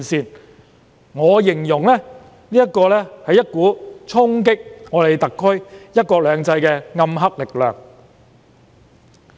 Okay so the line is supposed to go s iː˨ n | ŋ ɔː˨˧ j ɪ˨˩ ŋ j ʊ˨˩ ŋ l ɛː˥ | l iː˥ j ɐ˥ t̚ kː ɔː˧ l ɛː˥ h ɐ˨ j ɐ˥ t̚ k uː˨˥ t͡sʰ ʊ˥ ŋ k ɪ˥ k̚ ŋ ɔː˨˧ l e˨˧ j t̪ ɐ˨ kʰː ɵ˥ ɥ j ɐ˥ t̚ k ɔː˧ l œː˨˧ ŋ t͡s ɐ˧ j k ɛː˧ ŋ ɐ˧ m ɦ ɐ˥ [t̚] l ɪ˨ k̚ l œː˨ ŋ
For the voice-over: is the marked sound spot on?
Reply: no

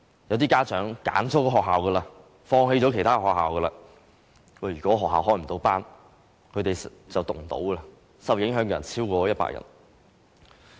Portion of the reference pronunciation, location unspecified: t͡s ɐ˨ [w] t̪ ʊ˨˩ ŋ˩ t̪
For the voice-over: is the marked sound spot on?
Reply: yes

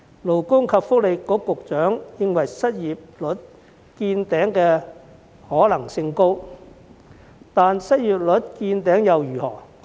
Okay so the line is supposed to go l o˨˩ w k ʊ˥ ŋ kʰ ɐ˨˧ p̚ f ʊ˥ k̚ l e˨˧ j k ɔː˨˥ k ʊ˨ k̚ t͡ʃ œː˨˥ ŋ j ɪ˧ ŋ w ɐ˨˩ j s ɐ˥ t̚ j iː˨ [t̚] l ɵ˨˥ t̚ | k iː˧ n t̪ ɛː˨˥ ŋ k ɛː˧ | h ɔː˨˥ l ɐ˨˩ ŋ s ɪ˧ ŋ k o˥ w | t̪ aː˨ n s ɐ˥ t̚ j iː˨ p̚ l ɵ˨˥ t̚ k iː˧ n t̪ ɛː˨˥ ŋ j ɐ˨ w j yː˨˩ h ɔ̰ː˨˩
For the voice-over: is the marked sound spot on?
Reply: no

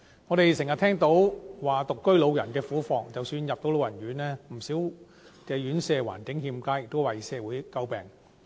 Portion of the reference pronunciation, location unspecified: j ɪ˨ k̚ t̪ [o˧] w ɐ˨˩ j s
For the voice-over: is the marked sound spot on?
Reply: no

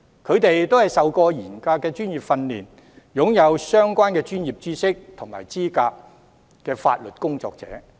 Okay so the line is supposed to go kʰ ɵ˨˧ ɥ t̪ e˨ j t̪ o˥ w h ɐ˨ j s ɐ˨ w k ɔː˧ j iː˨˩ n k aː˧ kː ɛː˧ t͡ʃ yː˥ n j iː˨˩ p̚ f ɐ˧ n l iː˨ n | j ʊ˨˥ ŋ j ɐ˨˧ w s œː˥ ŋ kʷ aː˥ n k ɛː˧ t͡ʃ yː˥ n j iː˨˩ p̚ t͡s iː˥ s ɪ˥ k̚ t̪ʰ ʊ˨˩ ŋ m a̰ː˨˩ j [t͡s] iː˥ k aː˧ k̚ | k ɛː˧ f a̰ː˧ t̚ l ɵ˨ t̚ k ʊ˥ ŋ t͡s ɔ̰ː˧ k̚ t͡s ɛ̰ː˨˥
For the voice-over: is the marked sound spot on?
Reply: yes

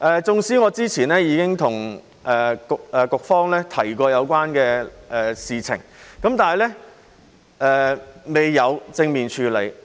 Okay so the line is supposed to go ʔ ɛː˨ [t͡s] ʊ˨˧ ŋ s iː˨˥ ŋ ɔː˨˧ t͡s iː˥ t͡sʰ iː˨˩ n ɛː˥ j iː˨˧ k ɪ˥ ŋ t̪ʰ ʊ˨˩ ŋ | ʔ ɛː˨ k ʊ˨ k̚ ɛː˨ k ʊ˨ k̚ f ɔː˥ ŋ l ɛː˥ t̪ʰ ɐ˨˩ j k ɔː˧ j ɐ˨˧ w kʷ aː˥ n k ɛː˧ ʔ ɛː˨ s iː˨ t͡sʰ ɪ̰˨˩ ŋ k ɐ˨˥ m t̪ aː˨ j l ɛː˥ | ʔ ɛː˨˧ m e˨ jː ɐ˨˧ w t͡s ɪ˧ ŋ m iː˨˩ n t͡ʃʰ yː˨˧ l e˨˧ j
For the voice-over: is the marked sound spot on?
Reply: yes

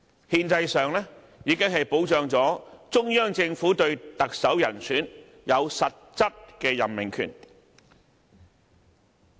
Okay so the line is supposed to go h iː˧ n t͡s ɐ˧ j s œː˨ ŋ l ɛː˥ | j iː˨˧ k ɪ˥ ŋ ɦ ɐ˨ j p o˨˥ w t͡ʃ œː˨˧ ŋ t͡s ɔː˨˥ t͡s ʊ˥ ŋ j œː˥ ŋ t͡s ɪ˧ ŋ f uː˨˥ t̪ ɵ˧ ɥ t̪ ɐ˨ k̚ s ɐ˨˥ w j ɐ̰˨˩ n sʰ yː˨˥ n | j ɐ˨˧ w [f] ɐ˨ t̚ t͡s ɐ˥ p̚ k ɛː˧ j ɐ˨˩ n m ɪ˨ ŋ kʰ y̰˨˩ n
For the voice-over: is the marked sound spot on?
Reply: no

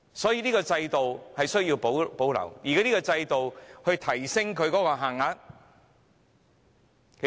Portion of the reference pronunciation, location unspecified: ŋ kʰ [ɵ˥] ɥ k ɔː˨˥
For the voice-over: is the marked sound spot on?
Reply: no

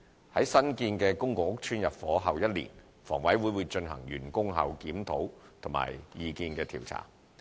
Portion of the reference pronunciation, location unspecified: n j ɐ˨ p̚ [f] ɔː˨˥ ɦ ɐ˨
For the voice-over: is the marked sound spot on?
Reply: yes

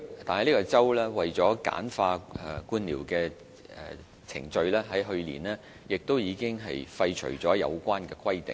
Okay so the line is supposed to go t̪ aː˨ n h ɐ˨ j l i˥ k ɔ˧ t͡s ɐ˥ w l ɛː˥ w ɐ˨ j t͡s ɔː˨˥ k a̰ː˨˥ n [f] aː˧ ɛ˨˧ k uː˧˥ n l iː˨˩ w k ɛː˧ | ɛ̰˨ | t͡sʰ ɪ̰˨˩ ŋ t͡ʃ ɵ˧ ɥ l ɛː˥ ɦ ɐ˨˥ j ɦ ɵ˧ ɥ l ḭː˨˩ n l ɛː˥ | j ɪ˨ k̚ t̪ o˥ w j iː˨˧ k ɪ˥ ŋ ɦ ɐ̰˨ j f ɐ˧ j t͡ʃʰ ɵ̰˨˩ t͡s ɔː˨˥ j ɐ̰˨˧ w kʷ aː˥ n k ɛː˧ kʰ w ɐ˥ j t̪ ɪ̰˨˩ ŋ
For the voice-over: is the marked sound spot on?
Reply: yes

